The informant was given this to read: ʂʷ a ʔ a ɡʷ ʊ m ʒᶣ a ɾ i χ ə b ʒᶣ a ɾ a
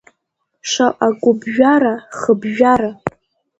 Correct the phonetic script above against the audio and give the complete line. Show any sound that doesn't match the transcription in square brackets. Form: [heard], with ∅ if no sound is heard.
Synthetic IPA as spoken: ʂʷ a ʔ a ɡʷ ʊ [b] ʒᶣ a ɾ [a] χ ə b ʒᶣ a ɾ a